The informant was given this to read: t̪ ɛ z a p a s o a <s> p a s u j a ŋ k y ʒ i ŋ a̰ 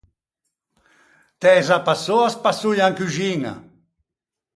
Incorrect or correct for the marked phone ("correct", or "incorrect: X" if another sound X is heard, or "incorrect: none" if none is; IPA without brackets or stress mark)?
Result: correct